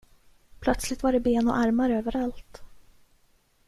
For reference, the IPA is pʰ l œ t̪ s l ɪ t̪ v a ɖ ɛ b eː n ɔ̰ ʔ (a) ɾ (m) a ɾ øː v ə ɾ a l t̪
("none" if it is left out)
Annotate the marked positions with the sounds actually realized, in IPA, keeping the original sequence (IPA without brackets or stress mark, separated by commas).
a, m